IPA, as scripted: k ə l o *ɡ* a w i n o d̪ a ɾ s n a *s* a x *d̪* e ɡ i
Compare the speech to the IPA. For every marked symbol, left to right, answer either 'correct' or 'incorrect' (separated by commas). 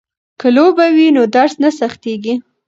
incorrect, correct, incorrect